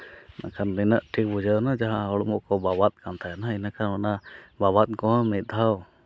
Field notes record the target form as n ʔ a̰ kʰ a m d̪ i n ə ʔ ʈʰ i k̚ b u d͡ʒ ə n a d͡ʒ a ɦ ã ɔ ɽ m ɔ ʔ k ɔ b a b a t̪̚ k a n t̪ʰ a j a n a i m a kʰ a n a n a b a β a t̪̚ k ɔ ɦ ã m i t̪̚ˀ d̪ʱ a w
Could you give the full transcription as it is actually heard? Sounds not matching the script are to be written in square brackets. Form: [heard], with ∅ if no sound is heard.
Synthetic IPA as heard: n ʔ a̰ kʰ a [n] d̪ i n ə ʔ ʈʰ i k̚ b u d͡ʒ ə n a d͡ʒ a ɦ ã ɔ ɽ m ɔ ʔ k ɔ b a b a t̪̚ k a n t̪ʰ a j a n a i [n] a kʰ a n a n a b a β a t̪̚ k ɔ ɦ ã m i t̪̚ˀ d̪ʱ a w